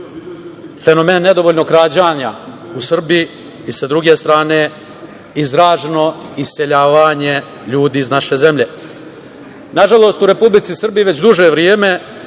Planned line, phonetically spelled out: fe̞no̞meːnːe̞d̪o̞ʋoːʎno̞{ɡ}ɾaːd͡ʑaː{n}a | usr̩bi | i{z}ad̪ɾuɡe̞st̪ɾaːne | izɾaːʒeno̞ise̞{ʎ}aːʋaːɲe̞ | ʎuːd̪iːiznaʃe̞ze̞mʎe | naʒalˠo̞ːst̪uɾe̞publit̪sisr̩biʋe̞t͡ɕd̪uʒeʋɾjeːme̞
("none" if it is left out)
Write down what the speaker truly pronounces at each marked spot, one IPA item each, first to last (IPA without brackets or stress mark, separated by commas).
k, ɲ, s, ʎ